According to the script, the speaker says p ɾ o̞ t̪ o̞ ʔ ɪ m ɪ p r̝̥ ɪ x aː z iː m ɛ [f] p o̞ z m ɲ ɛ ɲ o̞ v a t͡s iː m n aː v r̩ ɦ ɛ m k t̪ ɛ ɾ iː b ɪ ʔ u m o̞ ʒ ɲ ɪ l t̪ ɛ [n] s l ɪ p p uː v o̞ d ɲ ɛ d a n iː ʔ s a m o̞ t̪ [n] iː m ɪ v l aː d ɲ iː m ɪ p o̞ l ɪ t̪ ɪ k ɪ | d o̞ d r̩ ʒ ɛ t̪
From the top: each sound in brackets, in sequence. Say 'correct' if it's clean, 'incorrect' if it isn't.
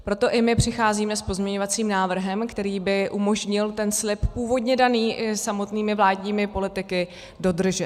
incorrect: s, correct, correct

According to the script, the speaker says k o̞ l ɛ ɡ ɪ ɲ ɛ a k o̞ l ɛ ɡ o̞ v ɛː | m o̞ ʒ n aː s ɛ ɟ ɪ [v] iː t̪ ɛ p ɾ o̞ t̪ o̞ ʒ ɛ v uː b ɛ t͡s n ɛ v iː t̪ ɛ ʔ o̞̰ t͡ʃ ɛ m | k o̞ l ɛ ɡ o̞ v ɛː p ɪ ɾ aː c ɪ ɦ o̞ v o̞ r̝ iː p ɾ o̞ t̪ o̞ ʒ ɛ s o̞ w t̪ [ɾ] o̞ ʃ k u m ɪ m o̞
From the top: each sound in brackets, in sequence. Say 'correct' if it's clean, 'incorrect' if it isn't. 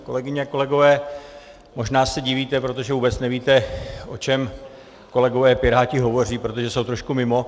correct, correct

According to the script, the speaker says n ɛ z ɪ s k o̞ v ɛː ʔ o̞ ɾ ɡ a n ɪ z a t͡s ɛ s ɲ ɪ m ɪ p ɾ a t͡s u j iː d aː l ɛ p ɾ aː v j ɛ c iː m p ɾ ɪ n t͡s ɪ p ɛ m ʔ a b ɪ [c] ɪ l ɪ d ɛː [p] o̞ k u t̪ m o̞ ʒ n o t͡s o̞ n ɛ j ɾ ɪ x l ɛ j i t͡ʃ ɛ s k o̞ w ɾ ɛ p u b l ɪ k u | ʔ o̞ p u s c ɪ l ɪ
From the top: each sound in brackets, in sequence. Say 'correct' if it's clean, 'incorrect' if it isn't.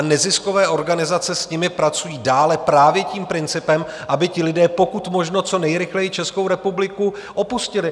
correct, correct

